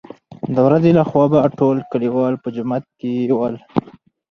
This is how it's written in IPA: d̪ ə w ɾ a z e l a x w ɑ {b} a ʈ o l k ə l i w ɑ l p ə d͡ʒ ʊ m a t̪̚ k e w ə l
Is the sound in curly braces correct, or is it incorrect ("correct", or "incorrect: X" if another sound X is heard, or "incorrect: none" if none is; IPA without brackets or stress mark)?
correct